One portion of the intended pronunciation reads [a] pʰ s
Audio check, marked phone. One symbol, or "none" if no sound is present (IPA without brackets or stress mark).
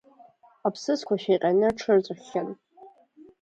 a